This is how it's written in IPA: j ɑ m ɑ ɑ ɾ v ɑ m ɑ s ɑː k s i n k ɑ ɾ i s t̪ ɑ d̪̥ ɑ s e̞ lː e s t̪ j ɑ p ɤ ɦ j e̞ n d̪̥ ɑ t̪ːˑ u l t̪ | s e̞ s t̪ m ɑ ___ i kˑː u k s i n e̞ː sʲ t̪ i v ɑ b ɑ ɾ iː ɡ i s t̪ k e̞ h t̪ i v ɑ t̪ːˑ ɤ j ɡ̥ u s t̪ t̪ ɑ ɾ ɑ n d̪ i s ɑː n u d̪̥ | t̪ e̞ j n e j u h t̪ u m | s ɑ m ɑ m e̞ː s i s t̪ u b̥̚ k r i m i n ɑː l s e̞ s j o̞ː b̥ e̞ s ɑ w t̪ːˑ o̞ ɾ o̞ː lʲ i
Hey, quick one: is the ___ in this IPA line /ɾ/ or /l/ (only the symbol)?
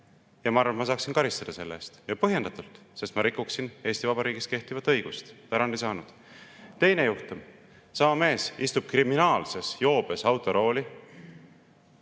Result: ɾ